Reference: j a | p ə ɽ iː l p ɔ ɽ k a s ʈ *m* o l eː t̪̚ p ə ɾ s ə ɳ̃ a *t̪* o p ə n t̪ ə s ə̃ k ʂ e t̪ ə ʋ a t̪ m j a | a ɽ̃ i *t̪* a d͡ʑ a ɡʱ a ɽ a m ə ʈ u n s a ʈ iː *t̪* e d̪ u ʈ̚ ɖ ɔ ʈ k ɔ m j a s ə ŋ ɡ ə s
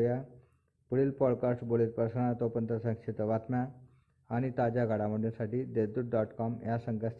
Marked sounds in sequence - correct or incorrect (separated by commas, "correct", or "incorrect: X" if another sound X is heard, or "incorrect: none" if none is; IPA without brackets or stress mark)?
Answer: incorrect: b, correct, correct, incorrect: d̪